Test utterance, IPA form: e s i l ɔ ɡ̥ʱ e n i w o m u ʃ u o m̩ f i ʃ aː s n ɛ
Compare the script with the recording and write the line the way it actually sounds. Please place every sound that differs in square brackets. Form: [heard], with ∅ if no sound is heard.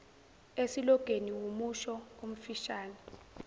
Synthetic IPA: e s i l ɔ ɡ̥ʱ e n i w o m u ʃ [ɔ] o m̩ f i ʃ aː [∅] n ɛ